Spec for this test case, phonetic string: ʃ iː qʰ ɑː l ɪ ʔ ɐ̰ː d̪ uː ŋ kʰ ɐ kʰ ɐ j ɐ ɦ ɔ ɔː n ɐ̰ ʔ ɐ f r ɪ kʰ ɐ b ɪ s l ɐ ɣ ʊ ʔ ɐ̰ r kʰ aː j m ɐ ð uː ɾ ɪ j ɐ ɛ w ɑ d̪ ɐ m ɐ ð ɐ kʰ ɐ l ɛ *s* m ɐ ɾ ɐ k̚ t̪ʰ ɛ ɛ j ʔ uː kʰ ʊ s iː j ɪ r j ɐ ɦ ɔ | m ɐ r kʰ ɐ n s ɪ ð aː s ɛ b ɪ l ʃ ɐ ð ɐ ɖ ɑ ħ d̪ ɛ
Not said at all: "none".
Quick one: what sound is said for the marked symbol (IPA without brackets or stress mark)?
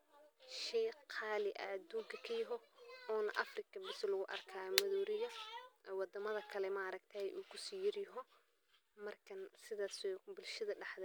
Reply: none